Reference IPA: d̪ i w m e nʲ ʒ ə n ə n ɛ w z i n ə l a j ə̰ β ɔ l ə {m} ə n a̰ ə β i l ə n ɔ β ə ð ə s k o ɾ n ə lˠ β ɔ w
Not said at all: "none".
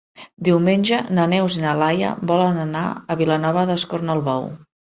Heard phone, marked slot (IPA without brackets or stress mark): n